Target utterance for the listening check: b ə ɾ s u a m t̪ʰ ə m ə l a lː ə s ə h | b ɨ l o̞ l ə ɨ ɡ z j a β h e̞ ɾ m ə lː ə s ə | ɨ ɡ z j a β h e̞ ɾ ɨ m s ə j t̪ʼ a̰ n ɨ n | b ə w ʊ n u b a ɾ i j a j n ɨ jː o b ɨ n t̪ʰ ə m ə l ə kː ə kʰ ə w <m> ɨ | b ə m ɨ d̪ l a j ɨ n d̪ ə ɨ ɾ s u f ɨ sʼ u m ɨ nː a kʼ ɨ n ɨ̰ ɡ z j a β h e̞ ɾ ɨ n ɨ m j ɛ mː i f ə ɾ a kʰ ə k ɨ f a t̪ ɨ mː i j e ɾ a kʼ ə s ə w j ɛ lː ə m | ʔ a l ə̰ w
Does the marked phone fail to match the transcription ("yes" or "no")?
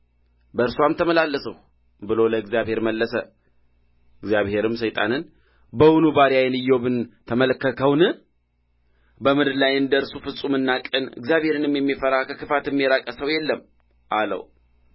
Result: yes